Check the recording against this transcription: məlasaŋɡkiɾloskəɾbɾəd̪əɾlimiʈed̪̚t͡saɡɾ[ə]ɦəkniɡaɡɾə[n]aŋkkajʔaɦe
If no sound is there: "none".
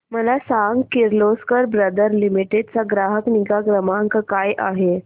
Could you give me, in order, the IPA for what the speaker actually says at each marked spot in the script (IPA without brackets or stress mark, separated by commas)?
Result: a, m